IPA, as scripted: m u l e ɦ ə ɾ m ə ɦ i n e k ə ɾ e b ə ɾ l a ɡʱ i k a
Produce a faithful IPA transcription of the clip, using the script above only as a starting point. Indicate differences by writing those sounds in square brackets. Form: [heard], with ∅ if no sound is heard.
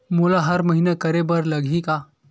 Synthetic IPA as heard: m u l [a] ɦ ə ɾ m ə ɦ i n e k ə ɾ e b ə ɾ l [ə] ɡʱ i k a